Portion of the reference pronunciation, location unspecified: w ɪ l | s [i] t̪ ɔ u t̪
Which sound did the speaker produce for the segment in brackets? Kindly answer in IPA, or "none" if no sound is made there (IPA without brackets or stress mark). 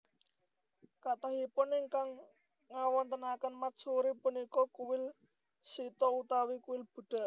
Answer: i